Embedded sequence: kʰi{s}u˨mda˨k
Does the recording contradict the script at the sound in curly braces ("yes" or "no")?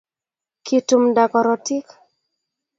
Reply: yes